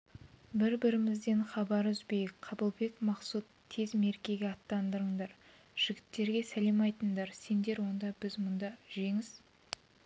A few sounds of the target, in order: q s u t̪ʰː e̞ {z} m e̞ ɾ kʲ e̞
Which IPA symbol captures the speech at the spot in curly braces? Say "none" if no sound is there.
z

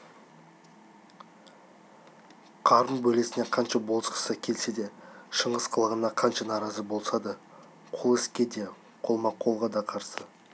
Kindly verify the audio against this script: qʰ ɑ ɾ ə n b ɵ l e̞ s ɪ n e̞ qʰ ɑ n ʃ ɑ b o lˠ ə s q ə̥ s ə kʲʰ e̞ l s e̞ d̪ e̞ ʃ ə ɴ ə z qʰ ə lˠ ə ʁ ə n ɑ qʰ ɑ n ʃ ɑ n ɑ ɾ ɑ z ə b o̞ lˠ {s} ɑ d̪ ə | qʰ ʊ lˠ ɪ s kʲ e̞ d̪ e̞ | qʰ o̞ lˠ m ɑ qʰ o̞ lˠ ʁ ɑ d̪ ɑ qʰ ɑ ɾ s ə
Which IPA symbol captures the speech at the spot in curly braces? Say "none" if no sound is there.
s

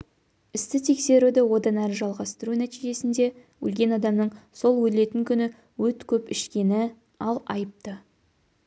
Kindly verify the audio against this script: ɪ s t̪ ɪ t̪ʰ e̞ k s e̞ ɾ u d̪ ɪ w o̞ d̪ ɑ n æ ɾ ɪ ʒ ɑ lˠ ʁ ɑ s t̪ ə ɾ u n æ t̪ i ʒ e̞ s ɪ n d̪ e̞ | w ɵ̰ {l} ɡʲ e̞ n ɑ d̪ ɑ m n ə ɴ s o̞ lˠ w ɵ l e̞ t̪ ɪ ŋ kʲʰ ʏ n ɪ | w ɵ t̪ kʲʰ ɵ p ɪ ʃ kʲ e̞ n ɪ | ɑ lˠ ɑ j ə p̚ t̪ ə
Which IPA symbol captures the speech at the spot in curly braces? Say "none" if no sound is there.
l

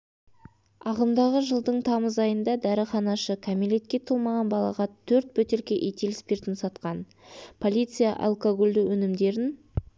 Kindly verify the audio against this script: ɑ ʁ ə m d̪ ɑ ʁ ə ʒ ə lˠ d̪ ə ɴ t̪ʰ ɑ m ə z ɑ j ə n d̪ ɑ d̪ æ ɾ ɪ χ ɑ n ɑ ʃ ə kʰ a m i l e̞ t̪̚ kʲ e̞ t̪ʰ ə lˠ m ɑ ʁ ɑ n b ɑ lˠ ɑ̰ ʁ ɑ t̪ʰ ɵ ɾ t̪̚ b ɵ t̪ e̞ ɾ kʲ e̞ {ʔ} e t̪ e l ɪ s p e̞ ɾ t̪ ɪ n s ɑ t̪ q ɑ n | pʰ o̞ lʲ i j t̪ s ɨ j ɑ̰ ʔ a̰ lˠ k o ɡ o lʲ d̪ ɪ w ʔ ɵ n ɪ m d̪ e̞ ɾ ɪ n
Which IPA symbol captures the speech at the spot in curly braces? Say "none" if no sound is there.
ʔ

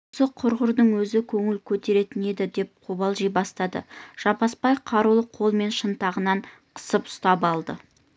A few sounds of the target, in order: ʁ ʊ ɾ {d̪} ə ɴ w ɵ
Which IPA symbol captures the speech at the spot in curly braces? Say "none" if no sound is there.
d̪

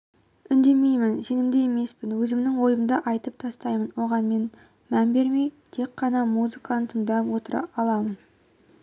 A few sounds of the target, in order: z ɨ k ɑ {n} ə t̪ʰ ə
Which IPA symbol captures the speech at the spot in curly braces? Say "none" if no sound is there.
n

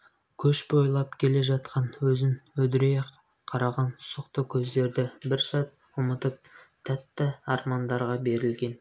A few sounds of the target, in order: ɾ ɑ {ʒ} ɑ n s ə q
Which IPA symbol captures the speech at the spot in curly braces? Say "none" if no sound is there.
ʁ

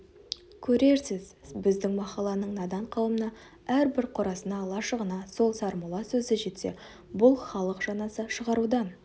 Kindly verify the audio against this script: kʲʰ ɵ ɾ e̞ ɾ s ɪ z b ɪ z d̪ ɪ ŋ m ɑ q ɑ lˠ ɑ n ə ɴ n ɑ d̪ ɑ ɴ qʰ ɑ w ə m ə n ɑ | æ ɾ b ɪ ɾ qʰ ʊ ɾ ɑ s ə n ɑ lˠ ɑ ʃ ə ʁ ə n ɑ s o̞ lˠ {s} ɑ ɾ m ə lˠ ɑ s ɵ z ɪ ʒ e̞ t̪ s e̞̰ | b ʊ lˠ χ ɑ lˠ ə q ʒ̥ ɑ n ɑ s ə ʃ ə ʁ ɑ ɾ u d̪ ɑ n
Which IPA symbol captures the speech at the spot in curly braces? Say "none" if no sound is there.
s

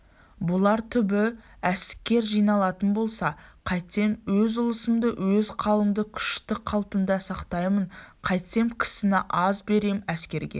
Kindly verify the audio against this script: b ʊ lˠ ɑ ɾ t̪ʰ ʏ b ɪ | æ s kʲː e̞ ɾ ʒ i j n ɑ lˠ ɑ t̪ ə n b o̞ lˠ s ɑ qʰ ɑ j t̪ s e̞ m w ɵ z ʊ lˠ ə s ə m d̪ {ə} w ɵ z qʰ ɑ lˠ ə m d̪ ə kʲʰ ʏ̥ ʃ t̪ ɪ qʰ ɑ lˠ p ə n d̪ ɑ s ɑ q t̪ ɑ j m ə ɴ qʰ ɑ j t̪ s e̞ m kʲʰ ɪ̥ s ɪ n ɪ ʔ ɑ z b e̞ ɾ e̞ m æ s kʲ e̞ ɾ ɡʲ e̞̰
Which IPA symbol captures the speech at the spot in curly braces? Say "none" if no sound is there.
ə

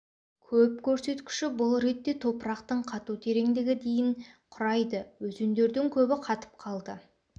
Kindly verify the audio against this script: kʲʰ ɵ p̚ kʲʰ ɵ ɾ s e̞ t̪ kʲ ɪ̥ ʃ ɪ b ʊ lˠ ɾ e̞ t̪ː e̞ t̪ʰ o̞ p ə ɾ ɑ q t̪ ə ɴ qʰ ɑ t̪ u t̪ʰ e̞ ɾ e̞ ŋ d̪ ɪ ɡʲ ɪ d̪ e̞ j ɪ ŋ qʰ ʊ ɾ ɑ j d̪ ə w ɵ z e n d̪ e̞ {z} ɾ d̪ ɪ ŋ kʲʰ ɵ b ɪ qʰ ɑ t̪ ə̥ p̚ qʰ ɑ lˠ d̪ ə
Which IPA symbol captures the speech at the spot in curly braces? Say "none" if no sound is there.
none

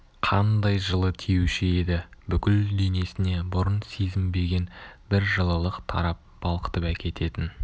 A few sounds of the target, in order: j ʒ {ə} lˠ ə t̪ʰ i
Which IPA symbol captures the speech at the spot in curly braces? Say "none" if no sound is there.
ə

